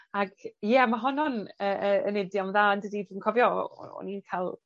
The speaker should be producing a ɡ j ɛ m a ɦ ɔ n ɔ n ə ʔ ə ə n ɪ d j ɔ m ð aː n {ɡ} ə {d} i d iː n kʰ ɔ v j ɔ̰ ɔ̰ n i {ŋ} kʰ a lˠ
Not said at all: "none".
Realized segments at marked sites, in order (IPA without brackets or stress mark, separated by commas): d, d, n